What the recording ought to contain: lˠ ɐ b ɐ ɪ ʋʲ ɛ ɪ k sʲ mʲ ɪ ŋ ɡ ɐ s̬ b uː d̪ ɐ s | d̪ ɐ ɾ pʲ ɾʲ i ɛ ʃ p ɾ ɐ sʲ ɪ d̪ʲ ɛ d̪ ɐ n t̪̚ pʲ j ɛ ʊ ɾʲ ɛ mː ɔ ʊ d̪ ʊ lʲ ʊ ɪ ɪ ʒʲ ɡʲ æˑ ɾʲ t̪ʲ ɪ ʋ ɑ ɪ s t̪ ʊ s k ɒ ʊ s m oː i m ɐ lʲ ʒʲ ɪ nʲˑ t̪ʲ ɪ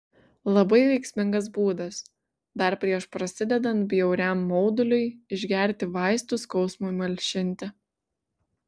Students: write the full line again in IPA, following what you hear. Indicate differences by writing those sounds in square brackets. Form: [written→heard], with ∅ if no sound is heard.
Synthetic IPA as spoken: lˠ ɐ b ɐ ɪ ʋʲ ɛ ɪ k sʲ mʲ ɪ ŋ ɡ ɐ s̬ b uː d̪ ɐ s | d̪ ɐ ɾ pʲ ɾʲ i ɛ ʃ p ɾ ɐ sʲ ɪ d̪ʲ ɛ d̪ ɐ n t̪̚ [pʲ→bʲ] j ɛ ʊ ɾʲ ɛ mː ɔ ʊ d̪ ʊ lʲ ʊ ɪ ɪ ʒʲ ɡʲ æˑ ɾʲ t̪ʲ ɪ ʋ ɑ ɪ s t̪ ʊ s k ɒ ʊ s m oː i m ɐ lʲ [ʒʲ→ʃʲ] ɪ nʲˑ t̪ʲ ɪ